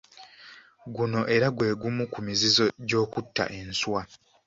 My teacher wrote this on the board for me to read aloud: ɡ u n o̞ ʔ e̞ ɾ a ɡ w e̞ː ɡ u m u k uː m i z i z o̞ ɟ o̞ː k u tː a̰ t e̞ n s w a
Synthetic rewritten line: ɡ u n o̞ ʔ e̞ ɾ a ɡ w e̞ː ɡ u m u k u m i z i z o̞ ɟ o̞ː k u tː a̰ ʔ e̞ n s w a